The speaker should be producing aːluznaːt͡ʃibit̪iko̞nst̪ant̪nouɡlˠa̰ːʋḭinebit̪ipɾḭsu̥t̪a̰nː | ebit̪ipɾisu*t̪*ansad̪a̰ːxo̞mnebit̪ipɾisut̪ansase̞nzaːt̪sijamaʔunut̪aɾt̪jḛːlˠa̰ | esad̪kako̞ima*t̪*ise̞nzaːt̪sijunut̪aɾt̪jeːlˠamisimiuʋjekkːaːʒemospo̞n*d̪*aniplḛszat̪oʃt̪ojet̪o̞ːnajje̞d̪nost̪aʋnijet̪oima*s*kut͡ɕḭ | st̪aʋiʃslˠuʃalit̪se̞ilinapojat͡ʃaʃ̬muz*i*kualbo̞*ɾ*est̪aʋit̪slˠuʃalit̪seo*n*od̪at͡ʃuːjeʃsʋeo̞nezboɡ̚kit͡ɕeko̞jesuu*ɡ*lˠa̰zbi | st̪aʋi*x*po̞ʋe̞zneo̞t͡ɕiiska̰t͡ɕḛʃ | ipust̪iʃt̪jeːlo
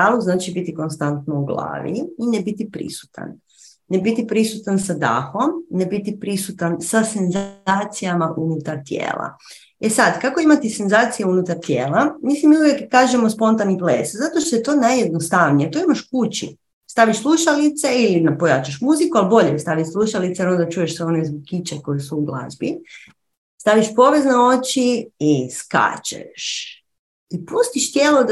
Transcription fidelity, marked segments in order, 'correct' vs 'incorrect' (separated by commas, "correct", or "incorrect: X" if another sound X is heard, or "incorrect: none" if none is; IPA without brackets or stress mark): correct, correct, incorrect: t̪, incorrect: ʃ, correct, incorrect: ʎ, correct, correct, incorrect: ʃ